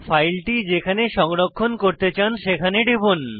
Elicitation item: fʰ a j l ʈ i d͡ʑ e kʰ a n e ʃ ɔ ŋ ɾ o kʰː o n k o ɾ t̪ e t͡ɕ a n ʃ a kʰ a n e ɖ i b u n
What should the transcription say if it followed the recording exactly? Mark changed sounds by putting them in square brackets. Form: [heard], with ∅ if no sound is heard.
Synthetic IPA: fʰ a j l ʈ i d͡ʑ e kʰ a n e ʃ ɔ ŋ ɾ o kʰː o n k o ɾ t̪ e t͡ɕ a n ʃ [e] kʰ a n e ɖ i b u n

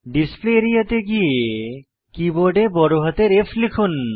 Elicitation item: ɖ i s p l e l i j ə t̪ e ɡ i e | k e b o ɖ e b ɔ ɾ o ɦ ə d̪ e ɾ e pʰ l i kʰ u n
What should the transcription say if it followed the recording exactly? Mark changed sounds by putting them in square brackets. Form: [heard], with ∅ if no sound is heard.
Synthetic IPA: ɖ i s p l e [ɾ] i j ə t̪ e ɡ i e | k [i] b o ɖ e b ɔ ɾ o ɦ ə [t̪] e ɾ e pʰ l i kʰ u n

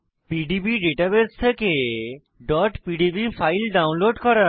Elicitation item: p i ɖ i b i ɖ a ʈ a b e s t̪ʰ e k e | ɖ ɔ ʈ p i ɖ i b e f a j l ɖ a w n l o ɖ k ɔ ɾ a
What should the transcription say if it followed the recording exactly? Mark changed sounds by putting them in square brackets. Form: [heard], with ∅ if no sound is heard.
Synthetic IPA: p i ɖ i b i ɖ [e] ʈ a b e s t̪ʰ e k e | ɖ ɔ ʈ p i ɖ i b [i] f a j l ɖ a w n l o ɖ k ɔ ɾ a

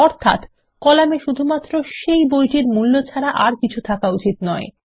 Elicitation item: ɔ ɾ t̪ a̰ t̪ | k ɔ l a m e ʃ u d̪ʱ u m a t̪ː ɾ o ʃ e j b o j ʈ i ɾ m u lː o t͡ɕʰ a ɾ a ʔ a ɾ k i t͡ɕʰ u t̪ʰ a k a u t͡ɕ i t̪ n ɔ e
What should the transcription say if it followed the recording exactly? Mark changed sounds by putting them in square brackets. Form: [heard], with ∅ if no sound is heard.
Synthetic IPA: ɔ ɾ [t̪ʰ] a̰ t̪ | k ɔ l a m e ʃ u d̪ʱ u m a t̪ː ɾ o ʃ e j b o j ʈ i ɾ m u lː o t͡ɕʰ a ɾ a ʔ a ɾ k i t͡ɕʰ u t̪ʰ a k a u t͡ɕ i t̪ n ɔ e

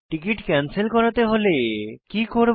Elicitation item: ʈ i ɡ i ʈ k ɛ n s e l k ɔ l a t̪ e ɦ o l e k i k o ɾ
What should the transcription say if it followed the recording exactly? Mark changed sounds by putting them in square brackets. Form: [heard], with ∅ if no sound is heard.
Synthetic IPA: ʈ i [k] i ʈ k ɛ n s e l k ɔ [ɾ] a t̪ e ɦ o l e k i k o ɾ

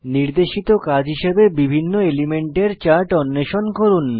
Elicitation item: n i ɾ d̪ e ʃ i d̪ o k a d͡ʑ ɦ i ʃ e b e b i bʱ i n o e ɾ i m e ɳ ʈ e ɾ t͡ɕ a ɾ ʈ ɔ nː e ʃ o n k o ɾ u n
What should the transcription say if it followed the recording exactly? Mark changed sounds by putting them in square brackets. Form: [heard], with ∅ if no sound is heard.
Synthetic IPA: n i ɾ d̪ e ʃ i [t̪] o k a d͡ʑ ɦ i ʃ e b e b i bʱ i [nː] o e [l] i m e ɳ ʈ e ɾ t͡ɕ a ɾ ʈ ɔ nː e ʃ o n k o ɾ u n

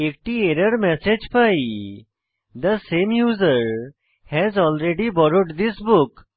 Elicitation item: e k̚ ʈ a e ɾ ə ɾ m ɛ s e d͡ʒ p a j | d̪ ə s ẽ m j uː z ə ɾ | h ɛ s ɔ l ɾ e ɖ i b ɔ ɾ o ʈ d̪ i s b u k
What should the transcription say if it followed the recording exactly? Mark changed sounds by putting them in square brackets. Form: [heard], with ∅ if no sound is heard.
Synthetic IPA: e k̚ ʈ [i] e ɾ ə ɾ m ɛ s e d͡ʒ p a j | d̪ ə s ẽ m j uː z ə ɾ | h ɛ [z] ɔ l ɾ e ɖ i b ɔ ɾ o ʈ d̪ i s b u k

